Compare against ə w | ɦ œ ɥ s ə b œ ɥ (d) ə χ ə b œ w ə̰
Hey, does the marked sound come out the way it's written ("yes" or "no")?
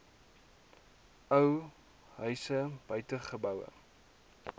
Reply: no